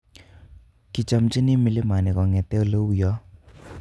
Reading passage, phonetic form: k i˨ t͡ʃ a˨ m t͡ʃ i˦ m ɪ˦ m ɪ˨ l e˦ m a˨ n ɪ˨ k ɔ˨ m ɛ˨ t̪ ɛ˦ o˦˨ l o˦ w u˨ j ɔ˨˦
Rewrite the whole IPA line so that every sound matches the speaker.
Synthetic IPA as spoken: k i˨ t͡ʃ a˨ m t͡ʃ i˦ n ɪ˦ m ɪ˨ l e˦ m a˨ n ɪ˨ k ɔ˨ ŋ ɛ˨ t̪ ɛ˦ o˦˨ l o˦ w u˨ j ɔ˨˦